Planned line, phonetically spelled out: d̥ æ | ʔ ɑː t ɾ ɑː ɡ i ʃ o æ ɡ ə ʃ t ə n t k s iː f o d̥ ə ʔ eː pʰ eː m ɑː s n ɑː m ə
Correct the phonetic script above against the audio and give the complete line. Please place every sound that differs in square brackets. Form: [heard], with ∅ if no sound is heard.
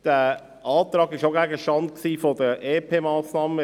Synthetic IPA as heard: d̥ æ | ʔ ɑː t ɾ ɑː ɡ [ɪ] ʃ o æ ɡ ə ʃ t [ɑ] n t k s iː f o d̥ ə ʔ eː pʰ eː m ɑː s n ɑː m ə